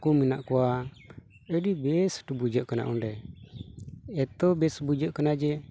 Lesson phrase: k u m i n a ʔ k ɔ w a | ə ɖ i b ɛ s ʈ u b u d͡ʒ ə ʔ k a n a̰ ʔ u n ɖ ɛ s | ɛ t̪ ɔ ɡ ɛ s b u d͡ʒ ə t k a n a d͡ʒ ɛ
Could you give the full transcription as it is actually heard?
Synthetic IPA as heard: k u m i n a ʔ k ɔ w a | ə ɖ i b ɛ s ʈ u b u d͡ʒ ə ʔ k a n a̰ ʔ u n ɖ ɛ | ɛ t̪ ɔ b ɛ s b u d͡ʒ ə ʔ k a n a d͡ʒ ɛ